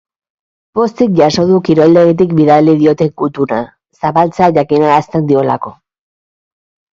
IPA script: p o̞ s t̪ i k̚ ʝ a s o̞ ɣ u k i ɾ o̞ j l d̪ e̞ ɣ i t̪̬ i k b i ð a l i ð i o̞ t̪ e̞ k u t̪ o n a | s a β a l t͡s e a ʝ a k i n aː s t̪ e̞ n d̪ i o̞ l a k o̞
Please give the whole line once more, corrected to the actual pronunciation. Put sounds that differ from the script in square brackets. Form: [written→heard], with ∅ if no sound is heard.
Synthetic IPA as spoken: p o̞ s t̪ i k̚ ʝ a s o̞ [ɣ→ð] u k i ɾ o̞ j l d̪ e̞ ɣ i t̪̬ i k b i ð a l i ð i o̞ t̪ e̞ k u t̪ [o→u] n a | s a β a l t͡s e a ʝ a k i n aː s t̪ e̞ n d̪ i o̞ l a k o̞